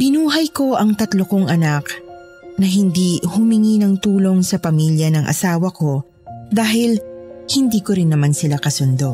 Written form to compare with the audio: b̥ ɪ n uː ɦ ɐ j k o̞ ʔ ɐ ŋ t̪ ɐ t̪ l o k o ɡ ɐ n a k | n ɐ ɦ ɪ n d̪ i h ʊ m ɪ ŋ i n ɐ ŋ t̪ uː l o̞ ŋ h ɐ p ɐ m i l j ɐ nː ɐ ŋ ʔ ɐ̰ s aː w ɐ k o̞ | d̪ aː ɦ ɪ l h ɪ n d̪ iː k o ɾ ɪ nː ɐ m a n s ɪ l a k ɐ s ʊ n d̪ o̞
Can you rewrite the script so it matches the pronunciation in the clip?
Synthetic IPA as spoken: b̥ ɪ n uː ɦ ɐ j k o̞ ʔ ɐ ŋ t̪ ɐ t̪ l o k o ŋ ɐ n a k | n ɐ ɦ ɪ n d̪ i h ʊ m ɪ ŋ i n ɐ ŋ t̪ uː l o̞ ŋ s ɐ p ɐ m i l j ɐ n ɐ ŋ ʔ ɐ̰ s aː w ɐ k o̞ | d̪ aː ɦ ɪ l h ɪ n d̪ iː k o ɾ ɪ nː ɐ m a n s ɪ l a k ɐ s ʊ n d̪ o̞